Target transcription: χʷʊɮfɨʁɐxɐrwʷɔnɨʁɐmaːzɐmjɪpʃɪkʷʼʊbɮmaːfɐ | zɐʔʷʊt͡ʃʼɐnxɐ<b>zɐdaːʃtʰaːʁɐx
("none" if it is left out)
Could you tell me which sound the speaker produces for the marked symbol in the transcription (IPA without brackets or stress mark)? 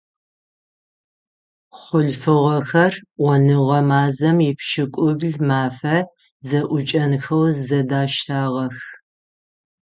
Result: w